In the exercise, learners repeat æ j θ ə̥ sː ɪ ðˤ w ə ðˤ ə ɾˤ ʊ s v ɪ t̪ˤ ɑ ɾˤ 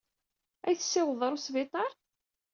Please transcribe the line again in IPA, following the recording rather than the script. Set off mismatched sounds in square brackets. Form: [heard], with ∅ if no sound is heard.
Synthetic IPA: æ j θ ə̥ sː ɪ [∅] w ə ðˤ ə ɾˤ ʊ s v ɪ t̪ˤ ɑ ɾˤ